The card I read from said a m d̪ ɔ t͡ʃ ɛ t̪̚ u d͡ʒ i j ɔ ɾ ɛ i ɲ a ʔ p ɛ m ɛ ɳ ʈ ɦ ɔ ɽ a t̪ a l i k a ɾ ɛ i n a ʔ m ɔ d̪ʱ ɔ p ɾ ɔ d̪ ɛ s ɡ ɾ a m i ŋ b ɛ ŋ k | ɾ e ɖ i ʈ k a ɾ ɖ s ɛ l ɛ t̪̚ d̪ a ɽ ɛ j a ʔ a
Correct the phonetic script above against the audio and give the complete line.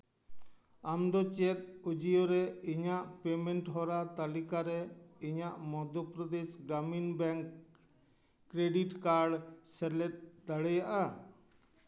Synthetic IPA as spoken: a m d̪ ɔ t͡ʃ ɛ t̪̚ u d͡ʒ i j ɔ ɾ ɛ i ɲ a ʔ p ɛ m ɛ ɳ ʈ ɦ ɔ ɾ a t̪ a l i k a ɾ ɛ i ɲ a ʔ m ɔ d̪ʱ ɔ p ɾ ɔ d̪ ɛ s ɡ ɾ a m i n b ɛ ŋ k | ɾ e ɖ i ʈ k a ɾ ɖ s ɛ l ɛ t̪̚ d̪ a ɽ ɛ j a ʔ a